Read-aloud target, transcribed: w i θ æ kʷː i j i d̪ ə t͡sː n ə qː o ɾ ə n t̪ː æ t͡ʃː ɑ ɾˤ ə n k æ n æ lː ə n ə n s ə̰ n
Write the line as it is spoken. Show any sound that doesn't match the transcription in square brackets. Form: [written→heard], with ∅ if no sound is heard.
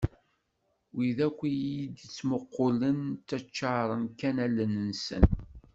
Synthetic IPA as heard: w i [θ→ð] æ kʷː i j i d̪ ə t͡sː [n→m] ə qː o [ɾ→l] ə n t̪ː æ t͡ʃː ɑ ɾˤ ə n k æ n æ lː ə n ə n s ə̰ n